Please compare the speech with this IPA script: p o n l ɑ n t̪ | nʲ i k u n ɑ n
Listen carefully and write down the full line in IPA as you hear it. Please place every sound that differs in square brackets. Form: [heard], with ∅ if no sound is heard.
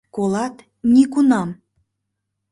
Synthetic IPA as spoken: [k] o [∅] l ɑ [∅] t̪ | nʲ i k u n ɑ [m]

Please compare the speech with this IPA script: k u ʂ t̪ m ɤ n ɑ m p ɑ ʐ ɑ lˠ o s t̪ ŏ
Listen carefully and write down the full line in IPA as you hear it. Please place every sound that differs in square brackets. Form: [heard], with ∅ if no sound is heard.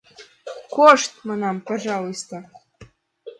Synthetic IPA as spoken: k [o] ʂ t̪ m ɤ n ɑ m p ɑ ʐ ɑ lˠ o s t̪ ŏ

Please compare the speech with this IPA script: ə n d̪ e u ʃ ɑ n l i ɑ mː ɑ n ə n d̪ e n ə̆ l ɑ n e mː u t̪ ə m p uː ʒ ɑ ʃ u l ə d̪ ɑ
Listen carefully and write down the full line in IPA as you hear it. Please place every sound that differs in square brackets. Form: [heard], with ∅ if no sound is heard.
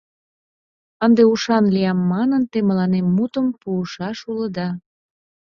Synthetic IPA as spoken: ə n d̪ e u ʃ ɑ n l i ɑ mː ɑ n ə n [t̪] e [m] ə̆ l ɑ n e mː u t̪ ə m p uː [ʃ] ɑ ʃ u l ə d̪ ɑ

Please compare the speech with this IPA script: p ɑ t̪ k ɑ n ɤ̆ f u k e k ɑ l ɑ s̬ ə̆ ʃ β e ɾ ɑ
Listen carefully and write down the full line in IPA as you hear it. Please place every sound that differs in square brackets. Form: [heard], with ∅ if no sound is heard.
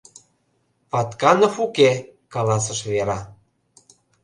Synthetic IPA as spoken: p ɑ t̪ k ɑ n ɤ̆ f u k e k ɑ l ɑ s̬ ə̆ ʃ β e ɾ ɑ

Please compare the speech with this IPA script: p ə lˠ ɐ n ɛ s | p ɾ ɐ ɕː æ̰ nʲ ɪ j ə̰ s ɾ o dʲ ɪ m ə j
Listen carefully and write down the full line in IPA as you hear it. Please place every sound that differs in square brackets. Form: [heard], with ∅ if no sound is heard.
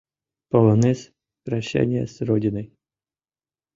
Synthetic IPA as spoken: p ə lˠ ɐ n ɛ s | p ɾ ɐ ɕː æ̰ nʲ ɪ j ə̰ s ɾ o dʲ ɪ [n] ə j

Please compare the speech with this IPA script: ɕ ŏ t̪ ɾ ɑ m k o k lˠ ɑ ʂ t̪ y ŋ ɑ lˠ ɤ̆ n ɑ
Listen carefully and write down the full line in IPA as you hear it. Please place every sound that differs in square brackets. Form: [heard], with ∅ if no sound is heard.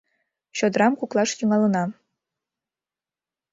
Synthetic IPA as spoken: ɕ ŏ [d̪] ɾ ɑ m k [u] k lˠ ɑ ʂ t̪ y ŋ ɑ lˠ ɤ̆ n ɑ

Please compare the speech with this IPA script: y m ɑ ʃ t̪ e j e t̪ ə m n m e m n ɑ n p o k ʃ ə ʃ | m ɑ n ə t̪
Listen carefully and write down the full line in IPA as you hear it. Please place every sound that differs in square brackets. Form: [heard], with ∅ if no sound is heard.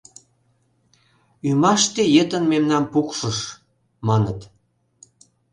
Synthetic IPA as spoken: y m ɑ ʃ t̪ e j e t̪ ə [∅] n m e m n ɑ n p [u] k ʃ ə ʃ | m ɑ n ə t̪

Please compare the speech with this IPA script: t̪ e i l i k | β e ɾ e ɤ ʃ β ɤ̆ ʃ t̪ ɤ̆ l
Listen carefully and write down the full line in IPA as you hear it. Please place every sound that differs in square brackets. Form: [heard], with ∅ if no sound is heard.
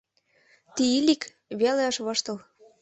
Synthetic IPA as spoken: t̪ [i] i l i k | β e [l] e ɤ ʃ β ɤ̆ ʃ t̪ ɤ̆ l

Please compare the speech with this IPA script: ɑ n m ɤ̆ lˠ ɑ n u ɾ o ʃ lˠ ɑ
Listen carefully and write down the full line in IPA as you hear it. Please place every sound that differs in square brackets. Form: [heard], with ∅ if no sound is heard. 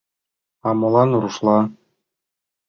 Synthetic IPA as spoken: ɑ [∅] m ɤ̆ lˠ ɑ n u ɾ [u] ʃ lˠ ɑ

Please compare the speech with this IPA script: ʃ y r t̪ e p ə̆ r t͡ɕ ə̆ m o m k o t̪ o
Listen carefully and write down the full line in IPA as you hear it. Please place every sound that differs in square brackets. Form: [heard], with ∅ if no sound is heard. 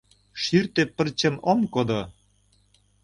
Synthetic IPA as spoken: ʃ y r t̪ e p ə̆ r t͡ɕ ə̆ m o m k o [d̪] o

